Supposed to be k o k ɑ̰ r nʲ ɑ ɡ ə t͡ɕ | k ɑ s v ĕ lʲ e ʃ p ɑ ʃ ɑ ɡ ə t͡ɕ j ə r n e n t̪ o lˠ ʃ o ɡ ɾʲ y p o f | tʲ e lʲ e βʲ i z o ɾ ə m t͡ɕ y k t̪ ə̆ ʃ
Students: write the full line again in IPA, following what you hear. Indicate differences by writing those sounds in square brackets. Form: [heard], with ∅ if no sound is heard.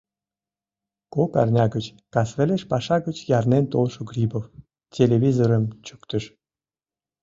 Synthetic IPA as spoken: k o k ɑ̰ r nʲ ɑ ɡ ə t͡ɕ | k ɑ s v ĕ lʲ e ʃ p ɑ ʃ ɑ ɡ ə t͡ɕ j [ɑ] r n e n t̪ o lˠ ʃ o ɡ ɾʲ [i] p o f | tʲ e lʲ e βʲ i z o ɾ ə m t͡ɕ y k t̪ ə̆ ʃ